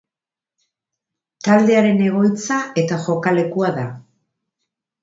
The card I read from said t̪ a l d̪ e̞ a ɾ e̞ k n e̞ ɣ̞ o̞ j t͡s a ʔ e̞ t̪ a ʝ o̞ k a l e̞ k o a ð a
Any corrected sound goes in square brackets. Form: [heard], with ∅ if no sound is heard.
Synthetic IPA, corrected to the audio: t̪ a l d̪ e̞ a ɾ e̞ [∅] n e̞ ɣ̞ o̞ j t͡s a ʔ e̞ t̪ a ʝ o̞ k a l e̞ k [u] a ð a

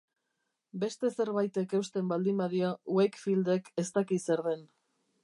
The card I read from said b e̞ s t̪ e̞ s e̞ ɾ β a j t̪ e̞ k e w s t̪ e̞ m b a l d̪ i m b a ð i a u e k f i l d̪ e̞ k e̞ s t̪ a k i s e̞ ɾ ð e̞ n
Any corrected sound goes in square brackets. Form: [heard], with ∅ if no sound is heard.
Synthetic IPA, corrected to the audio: b e̞ s t̪ e̞ s e̞ ɾ β a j t̪ e̞ k e w s t̪ e̞ m b a l d̪ i m b a ð i a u e k f i l d̪ e̞ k e̞ s t̪ a k i s e̞ ɾ ð e̞ n

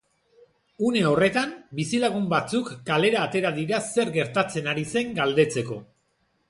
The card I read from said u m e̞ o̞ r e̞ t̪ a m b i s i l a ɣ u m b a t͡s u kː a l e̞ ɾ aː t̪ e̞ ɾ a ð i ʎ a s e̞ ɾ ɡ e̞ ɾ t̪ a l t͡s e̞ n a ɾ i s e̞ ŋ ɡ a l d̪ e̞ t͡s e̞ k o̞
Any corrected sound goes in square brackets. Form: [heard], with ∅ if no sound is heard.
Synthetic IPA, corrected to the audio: u [n] e̞ o̞ r e̞ t̪ a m b i s i l a ɣ u m b a t͡s u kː a l e̞ ɾ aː t̪ e̞ ɾ a ð i [ɾ] a s e̞ ɾ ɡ e̞ ɾ t̪ a [∅] t͡s e̞ n a ɾ i s e̞ ŋ ɡ a l d̪ e̞ t͡s e̞ k o̞

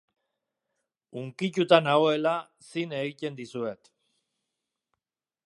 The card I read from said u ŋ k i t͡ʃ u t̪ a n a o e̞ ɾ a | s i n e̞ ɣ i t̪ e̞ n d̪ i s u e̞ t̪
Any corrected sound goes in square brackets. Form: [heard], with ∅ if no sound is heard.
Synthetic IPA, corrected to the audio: u ŋ k i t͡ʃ u t̪ a n a o e̞ [l] a | s i n e̞ ɣ i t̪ e̞ n d̪ i s u e̞ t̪

